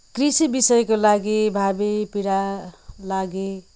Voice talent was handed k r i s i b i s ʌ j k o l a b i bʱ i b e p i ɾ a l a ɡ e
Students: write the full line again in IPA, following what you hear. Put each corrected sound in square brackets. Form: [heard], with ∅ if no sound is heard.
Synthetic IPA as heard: k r i s i b i s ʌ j k o l a [ɡ] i bʱ [a] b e p i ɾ a l a ɡ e